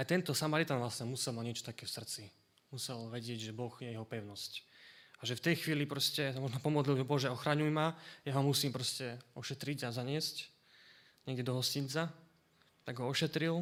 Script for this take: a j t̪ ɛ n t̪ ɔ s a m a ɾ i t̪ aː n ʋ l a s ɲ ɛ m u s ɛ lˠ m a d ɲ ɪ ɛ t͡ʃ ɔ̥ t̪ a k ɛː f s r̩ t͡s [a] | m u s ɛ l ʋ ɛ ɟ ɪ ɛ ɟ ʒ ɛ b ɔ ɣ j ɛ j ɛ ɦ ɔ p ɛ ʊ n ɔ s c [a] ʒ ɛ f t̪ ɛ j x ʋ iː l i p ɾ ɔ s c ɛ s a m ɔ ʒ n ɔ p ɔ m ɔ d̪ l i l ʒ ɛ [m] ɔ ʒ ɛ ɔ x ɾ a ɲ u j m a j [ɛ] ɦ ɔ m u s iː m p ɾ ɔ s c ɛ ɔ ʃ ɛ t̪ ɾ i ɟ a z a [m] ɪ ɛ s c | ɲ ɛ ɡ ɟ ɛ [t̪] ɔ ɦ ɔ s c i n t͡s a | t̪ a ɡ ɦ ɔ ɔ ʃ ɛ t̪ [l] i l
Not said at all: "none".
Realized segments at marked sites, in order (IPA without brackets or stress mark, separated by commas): i, a, b, a, ɲ, d̪, ɾ